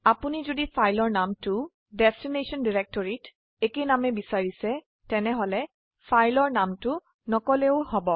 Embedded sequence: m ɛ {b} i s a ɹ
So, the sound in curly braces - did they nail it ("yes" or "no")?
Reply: yes